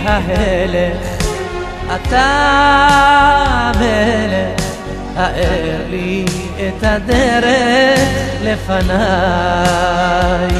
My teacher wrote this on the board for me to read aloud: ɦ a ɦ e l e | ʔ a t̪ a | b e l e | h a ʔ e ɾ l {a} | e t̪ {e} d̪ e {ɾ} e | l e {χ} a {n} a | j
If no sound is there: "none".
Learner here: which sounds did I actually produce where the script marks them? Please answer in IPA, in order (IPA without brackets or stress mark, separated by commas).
i, a, ɾ, f, n